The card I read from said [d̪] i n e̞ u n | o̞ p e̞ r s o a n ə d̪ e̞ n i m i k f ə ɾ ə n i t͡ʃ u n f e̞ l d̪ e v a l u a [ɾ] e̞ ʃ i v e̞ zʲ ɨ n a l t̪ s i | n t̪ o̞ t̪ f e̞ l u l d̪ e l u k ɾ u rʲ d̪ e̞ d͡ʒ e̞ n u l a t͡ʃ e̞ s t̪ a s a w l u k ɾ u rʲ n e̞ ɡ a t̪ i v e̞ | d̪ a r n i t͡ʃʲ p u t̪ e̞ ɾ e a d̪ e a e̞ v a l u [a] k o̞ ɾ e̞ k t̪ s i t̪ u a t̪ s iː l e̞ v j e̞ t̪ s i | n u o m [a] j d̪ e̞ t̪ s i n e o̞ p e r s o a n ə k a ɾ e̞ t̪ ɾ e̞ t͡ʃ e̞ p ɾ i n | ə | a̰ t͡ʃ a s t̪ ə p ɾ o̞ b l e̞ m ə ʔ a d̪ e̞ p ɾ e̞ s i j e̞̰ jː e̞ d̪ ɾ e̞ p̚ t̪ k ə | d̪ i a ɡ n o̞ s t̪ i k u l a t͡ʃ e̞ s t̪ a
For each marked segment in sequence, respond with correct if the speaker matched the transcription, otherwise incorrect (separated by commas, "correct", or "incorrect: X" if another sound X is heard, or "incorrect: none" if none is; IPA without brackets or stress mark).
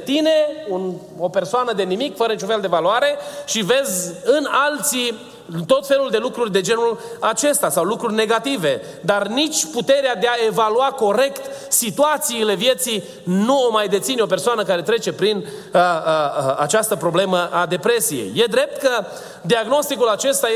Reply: incorrect: t̪, correct, correct, correct